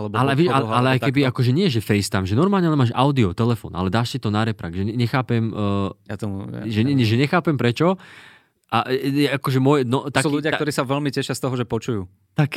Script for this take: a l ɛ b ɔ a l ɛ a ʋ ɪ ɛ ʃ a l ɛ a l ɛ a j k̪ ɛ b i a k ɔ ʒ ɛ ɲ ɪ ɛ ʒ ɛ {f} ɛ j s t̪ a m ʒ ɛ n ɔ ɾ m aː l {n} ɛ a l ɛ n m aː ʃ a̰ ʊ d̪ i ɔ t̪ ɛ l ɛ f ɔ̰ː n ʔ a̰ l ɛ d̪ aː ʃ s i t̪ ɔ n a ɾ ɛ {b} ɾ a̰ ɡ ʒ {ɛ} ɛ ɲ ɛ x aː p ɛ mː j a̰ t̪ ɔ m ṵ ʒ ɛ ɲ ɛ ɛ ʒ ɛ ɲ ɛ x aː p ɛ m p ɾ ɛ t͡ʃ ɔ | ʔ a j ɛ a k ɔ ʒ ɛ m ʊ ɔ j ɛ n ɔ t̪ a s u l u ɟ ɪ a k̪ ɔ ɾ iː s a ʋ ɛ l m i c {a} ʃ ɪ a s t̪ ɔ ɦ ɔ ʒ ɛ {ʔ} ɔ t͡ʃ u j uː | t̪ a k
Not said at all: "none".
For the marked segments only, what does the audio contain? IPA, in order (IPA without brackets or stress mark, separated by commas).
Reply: f, ɲ, p, ɛ, ɛ, p